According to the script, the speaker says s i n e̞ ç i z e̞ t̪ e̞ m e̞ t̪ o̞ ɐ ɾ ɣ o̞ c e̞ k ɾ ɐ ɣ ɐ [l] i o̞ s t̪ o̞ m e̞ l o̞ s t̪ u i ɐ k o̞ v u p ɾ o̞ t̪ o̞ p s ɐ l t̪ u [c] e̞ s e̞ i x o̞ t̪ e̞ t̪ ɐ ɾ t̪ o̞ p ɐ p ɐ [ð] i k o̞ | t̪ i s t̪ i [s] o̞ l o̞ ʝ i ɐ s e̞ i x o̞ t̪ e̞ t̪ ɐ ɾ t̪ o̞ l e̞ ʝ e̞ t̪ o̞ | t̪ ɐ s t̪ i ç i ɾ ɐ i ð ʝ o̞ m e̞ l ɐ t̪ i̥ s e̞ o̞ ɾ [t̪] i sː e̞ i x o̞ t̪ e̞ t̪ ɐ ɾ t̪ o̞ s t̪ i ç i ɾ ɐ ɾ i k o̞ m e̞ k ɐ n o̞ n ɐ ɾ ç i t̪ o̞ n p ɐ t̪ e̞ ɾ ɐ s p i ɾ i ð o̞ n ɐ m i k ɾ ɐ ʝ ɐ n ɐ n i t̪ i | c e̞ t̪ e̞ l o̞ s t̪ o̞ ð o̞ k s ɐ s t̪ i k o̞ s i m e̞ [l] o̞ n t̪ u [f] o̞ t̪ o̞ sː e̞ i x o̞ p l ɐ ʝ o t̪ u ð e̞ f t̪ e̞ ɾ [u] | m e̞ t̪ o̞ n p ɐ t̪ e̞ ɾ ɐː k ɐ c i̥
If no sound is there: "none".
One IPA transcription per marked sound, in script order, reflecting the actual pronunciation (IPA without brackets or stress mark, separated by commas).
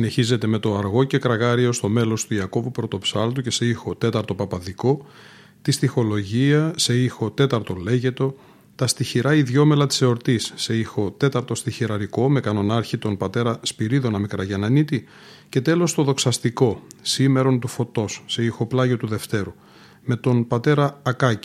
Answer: ɾ, c, ð, x, t̪, ɾ, f, u